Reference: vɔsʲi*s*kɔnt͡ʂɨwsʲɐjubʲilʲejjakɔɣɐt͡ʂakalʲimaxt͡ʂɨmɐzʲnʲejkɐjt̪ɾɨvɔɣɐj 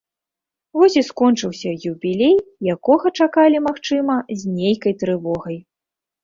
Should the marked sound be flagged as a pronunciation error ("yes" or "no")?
no